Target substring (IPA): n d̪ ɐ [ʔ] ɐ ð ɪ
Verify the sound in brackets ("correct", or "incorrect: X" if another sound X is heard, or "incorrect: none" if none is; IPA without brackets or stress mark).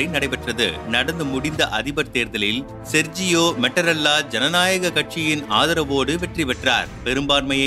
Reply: correct